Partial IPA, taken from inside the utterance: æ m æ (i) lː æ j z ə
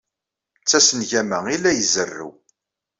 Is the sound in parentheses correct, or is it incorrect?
correct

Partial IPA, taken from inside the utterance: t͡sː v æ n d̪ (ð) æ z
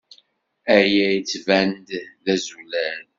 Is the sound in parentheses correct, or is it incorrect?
correct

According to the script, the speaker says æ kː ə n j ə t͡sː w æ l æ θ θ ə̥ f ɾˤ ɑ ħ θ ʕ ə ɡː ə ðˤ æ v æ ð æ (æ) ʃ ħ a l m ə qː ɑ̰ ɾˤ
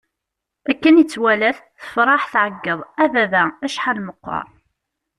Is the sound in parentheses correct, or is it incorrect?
correct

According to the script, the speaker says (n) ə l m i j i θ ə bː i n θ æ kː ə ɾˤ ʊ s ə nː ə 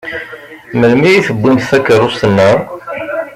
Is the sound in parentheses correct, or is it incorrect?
incorrect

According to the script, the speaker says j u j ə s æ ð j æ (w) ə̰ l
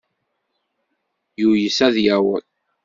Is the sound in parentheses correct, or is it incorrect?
correct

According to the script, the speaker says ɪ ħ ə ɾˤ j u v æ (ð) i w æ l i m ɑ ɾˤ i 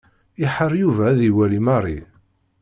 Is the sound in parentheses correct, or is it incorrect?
correct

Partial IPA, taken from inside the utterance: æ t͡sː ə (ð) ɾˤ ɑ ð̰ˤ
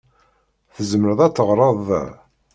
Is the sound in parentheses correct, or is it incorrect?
incorrect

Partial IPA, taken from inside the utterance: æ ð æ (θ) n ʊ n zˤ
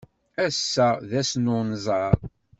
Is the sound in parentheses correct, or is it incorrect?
incorrect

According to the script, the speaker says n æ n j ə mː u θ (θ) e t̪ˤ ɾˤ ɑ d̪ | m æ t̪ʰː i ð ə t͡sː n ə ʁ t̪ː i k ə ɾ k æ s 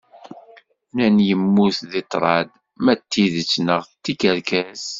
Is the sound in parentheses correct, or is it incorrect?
incorrect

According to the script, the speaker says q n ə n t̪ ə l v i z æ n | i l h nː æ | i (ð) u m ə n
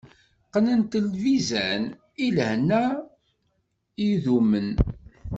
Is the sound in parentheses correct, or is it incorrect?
correct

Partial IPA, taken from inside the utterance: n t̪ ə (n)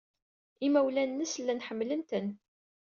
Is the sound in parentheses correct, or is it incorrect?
correct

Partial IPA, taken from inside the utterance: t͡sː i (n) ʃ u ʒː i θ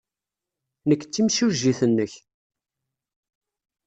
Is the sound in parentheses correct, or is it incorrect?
incorrect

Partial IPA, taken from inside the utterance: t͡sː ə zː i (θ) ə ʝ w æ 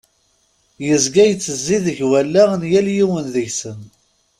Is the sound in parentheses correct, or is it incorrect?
incorrect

